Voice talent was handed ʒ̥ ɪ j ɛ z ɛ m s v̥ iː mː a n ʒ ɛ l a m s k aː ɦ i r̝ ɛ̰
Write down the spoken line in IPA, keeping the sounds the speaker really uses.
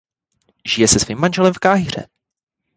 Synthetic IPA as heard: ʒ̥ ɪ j ɛ s ɛ s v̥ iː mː a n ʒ ɛ l ɛ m f k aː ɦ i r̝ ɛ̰